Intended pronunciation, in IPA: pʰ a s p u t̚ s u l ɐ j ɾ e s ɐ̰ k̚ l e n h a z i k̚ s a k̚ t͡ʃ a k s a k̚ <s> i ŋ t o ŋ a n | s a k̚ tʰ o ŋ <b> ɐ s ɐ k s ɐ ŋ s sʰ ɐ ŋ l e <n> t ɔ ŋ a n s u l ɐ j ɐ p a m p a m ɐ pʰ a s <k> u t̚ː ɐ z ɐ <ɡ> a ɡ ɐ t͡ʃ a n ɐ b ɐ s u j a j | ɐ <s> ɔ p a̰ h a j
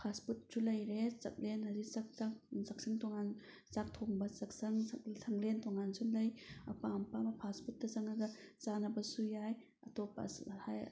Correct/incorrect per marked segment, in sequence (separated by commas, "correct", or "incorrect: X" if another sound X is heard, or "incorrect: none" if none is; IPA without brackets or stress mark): correct, correct, correct, incorrect: p, incorrect: ŋ, incorrect: t